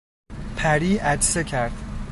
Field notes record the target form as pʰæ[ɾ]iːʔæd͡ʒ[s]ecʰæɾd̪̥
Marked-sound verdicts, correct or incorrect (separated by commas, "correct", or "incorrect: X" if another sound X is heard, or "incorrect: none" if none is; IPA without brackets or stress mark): correct, correct